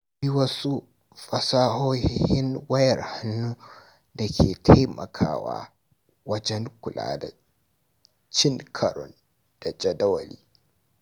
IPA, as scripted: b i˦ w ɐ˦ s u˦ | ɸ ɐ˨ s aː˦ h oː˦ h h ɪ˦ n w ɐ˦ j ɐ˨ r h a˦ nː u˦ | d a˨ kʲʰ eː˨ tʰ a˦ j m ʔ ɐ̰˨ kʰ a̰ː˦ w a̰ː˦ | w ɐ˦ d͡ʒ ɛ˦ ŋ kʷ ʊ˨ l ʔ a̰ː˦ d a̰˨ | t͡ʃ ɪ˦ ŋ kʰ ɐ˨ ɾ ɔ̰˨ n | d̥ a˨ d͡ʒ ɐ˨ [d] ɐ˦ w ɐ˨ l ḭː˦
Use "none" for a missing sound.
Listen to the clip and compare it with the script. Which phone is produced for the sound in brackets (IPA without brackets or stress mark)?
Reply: d